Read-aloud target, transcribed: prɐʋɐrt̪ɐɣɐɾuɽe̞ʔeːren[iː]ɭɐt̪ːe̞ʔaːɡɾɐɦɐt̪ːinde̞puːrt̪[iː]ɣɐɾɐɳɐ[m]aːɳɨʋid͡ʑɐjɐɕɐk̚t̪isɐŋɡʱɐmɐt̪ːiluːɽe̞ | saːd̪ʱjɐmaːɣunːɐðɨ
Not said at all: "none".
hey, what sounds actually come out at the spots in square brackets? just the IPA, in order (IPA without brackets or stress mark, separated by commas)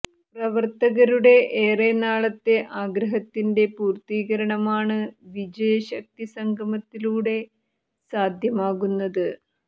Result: aː, iː, m